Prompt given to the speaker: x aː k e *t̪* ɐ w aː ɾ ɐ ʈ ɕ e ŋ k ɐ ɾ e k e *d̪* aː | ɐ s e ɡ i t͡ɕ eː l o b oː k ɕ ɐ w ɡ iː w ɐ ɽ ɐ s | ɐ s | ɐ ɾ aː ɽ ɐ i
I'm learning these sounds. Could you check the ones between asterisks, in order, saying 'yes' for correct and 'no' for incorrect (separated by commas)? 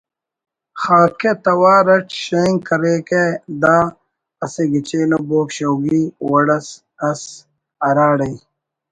yes, yes